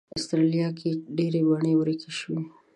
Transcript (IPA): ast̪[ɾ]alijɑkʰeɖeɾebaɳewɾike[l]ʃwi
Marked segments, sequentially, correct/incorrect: correct, incorrect

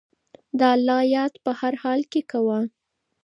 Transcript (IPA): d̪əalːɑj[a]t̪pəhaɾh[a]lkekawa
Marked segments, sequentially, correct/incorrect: incorrect, incorrect

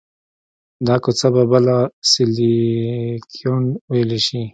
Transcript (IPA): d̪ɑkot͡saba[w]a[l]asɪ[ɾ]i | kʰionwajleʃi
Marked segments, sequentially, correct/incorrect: incorrect, correct, incorrect

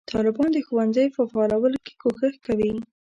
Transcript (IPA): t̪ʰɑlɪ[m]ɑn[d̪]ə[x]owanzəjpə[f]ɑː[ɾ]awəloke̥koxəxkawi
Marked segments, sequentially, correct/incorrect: incorrect, correct, correct, correct, incorrect

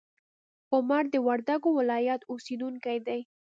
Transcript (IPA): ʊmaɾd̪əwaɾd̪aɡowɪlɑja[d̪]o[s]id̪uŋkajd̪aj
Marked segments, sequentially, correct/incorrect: incorrect, correct

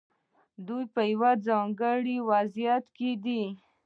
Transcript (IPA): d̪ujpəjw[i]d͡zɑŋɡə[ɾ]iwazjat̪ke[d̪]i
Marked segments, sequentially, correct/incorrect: incorrect, incorrect, correct

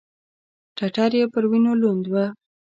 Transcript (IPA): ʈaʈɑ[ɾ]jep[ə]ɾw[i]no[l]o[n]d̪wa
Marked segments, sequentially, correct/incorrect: correct, correct, correct, correct, correct

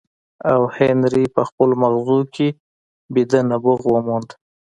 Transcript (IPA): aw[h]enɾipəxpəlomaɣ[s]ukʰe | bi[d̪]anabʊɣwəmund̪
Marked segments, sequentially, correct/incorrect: correct, incorrect, correct

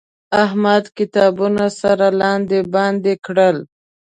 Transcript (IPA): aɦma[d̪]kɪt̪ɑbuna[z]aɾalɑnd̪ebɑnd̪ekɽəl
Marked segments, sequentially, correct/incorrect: correct, incorrect

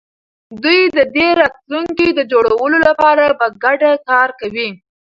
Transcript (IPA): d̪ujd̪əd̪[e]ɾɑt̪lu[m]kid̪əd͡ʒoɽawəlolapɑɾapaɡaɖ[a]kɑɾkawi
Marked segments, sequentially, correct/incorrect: correct, incorrect, correct

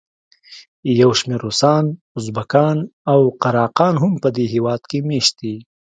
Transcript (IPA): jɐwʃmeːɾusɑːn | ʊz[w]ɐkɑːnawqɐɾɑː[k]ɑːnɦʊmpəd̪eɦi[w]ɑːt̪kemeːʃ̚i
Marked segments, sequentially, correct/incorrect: incorrect, incorrect, correct

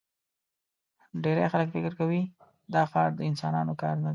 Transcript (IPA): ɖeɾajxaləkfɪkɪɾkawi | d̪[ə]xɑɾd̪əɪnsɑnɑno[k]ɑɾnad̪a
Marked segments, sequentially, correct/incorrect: incorrect, correct

